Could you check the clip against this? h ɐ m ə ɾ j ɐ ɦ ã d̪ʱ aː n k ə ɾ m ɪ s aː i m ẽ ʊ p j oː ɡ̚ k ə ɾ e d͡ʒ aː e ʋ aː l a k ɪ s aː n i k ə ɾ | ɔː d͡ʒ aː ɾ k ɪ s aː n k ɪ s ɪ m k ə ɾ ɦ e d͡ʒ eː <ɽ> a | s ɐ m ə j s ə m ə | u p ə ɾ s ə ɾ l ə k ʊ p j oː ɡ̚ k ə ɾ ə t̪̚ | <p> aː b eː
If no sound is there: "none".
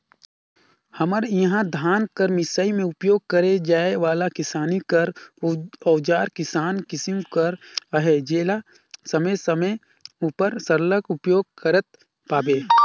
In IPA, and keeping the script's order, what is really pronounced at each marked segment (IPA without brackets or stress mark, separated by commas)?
l, p